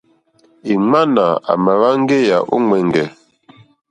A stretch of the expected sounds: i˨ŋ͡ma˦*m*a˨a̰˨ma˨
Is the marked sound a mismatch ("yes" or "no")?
yes